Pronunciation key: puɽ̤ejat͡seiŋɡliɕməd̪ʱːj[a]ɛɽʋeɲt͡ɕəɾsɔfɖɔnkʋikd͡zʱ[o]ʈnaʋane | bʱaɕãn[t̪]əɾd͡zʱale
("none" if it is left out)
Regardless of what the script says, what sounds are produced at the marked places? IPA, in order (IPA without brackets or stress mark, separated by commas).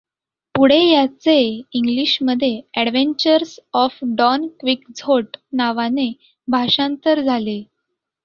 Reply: e, o, t̪